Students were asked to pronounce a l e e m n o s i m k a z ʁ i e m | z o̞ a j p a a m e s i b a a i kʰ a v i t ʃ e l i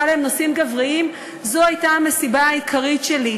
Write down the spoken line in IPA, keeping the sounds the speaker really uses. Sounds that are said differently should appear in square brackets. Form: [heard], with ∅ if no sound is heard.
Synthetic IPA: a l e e m n o s i m [ɡ] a [v] ʁ i [i] m | z o̞ a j [t] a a m e s i b a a i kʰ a [ʁ] i t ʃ e l i